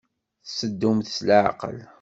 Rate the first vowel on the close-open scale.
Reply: mid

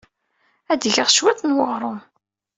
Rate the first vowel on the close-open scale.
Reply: open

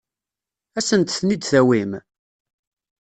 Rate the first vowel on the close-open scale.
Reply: open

